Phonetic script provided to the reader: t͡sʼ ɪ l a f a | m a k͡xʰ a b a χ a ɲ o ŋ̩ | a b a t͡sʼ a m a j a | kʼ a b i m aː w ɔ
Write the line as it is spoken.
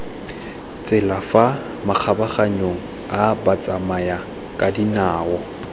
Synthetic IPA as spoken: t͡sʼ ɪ l a f a | m a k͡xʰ a b a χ a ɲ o ŋ̩ | a b a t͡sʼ a m a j a | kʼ a d i n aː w ɔ